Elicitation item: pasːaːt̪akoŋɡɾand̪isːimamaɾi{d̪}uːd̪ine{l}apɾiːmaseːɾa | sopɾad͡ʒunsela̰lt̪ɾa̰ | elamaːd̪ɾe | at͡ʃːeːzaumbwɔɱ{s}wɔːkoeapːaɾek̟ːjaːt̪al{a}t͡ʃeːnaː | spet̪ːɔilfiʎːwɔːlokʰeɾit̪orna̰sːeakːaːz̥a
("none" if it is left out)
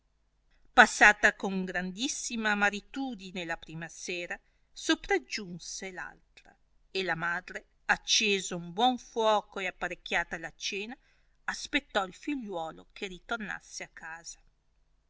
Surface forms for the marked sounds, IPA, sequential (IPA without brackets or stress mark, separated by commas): t̪, l, f, a